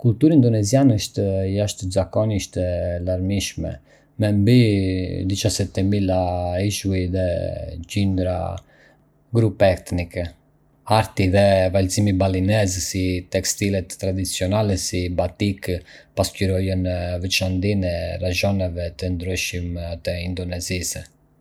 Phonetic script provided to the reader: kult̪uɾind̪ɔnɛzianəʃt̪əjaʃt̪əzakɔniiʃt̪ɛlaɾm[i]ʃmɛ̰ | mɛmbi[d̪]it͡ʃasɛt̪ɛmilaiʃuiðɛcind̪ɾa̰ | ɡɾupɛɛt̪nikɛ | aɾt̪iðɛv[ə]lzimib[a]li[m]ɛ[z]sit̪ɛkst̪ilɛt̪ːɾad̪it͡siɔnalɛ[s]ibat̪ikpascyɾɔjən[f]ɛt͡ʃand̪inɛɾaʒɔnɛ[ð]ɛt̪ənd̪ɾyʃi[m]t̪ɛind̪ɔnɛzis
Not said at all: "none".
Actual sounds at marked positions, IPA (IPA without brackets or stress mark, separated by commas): i, d̪, a, a, n, z, s, v, v, m